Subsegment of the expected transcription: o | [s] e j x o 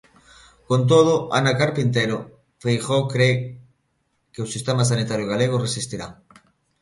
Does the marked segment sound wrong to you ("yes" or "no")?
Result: yes